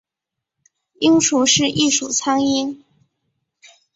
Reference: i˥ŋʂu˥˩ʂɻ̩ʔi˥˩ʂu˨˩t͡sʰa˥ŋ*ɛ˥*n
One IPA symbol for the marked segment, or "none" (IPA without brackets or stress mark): i˥